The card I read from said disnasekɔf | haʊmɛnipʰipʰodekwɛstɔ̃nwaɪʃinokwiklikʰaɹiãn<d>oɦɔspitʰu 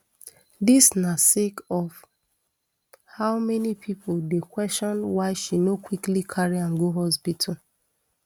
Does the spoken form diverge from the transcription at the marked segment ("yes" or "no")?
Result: yes